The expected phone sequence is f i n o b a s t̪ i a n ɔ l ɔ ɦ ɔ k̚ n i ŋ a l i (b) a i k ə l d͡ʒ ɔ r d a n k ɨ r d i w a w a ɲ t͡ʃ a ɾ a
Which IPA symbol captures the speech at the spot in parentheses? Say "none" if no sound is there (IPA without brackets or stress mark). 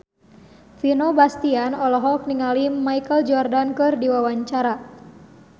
m